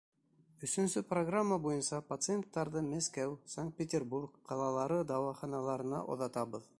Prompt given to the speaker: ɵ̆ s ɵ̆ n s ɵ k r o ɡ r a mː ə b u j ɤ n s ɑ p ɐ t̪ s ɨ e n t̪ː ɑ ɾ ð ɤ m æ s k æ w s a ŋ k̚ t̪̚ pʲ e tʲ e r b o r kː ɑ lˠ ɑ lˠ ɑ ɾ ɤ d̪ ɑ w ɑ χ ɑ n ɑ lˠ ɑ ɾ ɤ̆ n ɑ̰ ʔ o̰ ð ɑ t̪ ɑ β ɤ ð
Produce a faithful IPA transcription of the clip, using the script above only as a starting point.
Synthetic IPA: ɵ̆ s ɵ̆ n s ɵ p r o ɡ r a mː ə b u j ɤ n s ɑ p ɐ t̪ s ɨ e n t̪ː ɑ ɾ ð ɤ m æ s k æ w s a ŋ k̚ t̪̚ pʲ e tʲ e r b u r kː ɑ lˠ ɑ lˠ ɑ ɾ ɤ d̪ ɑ w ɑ χ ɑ n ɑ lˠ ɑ ɾ ɤ̆ n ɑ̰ ʔ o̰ ð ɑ t̪ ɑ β ɤ ð